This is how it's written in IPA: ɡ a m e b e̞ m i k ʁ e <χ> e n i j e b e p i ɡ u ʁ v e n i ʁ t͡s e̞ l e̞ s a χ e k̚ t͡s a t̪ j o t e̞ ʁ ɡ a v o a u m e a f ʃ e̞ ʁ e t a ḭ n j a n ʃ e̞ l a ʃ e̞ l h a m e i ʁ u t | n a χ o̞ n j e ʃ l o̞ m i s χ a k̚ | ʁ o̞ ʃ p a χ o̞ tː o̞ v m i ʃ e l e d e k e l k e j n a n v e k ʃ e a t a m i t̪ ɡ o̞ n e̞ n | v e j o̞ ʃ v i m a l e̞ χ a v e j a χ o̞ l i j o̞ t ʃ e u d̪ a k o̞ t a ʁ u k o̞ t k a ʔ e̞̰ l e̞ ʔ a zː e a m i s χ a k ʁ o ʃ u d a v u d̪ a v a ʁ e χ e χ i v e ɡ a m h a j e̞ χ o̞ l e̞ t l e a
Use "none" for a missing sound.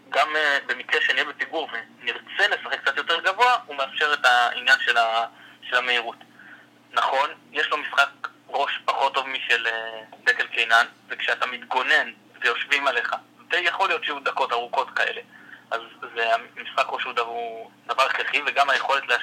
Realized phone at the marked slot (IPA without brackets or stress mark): ʃ